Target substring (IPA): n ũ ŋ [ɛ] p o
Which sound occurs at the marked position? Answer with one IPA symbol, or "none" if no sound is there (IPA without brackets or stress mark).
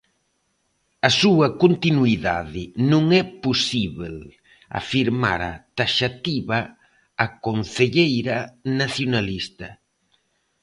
ɛ